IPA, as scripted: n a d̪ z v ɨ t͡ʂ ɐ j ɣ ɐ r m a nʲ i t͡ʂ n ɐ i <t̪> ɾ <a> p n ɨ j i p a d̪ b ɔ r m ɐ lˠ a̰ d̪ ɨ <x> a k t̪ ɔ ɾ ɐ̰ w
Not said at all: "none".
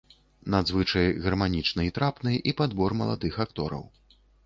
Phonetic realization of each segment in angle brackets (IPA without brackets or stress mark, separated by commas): t̪, a, x